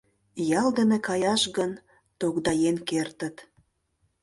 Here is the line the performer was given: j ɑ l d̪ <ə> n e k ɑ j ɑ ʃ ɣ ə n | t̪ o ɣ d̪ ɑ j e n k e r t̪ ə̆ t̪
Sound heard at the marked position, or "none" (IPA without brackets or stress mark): ə